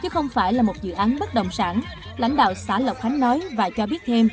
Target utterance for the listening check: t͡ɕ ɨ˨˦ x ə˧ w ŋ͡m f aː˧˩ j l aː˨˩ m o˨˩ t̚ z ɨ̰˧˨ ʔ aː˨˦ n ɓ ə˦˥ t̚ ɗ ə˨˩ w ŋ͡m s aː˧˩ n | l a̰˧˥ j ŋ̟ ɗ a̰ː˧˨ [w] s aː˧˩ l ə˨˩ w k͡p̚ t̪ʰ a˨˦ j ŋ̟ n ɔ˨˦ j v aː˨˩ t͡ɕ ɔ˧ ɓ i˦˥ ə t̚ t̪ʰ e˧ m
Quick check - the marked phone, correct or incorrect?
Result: correct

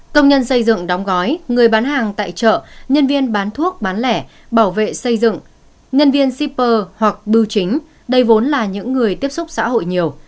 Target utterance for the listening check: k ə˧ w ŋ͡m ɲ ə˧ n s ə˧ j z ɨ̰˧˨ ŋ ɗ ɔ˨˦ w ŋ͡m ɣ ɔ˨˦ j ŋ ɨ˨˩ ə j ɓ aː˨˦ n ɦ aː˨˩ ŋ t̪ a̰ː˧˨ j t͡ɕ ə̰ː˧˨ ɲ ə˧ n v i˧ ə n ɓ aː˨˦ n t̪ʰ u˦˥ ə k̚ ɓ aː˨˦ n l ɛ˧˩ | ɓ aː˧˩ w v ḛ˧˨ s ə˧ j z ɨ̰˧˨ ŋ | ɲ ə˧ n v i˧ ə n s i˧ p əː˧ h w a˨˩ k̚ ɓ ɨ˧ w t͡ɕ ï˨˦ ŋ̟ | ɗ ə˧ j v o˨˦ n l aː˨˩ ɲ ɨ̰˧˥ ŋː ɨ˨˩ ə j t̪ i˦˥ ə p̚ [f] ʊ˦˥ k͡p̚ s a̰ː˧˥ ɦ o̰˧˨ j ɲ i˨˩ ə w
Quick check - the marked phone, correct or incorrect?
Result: incorrect: s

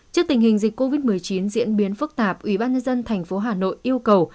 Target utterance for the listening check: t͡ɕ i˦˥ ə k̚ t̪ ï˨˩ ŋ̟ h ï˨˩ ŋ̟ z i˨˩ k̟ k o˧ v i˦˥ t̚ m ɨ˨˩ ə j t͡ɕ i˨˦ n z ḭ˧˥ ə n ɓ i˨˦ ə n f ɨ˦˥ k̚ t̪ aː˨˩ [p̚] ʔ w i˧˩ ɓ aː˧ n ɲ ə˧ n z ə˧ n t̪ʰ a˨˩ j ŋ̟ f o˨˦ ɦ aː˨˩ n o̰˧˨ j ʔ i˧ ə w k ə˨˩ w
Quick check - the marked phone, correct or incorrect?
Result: correct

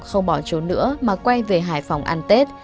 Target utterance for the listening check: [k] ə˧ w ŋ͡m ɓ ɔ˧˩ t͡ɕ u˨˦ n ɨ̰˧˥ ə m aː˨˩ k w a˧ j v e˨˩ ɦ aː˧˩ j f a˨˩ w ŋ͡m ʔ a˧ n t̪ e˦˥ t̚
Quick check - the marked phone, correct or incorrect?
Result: incorrect: x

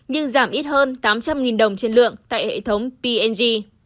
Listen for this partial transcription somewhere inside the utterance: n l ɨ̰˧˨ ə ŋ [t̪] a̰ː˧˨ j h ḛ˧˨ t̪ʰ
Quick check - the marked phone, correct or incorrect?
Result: correct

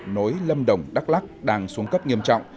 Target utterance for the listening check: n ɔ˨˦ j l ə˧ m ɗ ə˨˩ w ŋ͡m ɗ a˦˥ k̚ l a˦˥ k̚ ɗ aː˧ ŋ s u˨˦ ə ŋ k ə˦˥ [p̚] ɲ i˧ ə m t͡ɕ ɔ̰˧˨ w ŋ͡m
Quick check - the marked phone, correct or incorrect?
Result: correct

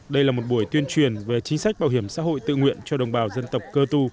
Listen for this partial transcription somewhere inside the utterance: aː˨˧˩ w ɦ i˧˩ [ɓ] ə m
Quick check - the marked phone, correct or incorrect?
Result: incorrect: none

